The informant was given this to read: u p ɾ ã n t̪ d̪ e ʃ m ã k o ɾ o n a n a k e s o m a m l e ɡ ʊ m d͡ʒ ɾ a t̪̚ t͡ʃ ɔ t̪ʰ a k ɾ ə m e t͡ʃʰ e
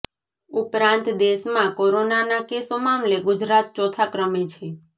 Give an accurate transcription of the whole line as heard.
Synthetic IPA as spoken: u p ɾ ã n t̪ d̪ e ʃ m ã k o ɾ o n a n a k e s o m a m l e ɡ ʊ d͡ʒ ɾ a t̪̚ t͡ʃ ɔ t̪ʰ a k ɾ ə m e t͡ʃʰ e

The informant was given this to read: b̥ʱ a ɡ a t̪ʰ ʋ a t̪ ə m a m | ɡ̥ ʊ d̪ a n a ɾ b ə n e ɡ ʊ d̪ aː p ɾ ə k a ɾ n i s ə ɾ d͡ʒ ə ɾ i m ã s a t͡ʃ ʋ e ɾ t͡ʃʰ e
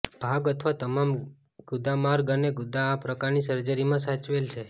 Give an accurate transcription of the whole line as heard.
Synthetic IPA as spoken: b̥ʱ a ɡ ə t̪ʰ ʋ a t̪ ə m a m | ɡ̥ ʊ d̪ a m a ɾ ɡ ə n e ɡ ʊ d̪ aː p ɾ ə k a ɾ n i s ə ɾ d͡ʒ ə ɾ i m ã s a t͡ʃ ʋ e l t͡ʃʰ e

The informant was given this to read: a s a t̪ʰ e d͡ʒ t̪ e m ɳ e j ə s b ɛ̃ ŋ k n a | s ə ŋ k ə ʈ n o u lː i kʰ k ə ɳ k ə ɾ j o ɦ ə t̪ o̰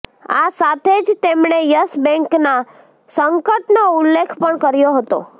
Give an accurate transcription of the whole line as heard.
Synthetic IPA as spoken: a s a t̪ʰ e d͡ʒ t̪ e m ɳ e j ə s b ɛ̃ ŋ k n a | s ə ŋ k ə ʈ n o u lː e kʰ p ə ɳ k ə ɾ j o ɦ ə t̪ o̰

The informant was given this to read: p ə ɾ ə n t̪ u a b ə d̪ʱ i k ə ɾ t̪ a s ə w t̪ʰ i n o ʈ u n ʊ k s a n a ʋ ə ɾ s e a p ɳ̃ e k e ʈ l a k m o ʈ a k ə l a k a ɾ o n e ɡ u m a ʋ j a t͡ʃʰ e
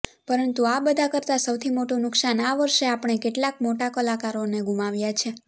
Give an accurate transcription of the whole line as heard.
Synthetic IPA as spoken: p ə ɾ ə n t̪ u a b ə d̪ʱ a k ə ɾ t̪ a s ə w t̪ʰ i m o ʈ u n ʊ k s a n a ʋ ə ɾ ʃ e a p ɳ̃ e k e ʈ l a k m o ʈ a k ə l a k a ɾ o n e ɡ u m a ʋ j a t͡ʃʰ e

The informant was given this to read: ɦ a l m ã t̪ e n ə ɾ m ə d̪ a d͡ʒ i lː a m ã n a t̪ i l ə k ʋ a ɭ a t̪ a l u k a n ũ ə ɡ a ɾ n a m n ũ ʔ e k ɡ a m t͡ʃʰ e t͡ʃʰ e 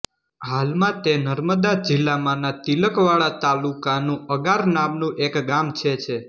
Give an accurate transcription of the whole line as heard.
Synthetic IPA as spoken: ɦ a l m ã t̪ e n ə ɾ m ə d̪ a d͡ʒ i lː a m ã n a t̪ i l ə k ʋ a ɭ a t̪ a l u k a n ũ ə ɡ a ɾ n a m n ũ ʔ e k ɡ a m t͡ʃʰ e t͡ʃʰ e

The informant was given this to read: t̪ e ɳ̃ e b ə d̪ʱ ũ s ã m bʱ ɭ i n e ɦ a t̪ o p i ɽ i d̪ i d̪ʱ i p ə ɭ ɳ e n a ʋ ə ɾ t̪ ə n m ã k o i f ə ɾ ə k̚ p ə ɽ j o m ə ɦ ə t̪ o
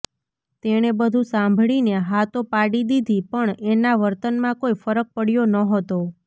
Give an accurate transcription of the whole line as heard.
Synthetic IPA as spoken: t̪ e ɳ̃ e b ə d̪ʱ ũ s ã m bʱ ɭ i n e ɦ a t̪ o p a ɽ i d̪ i d̪ʱ i p ə ɳ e n a ʋ ə ɾ t̪ ə n m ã k o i f ə ɾ ə k̚ p ə ɽ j o n ə ɦ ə t̪ o

